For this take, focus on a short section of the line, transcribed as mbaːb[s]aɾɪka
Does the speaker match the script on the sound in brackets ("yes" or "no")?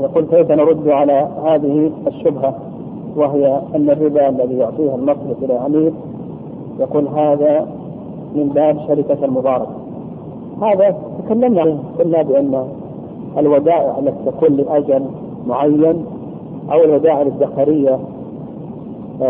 no